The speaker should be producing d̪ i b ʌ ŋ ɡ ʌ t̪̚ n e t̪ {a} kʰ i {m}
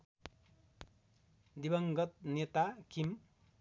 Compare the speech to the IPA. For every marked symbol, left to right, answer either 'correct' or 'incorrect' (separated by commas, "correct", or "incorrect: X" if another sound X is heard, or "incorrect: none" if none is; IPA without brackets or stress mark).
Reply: correct, correct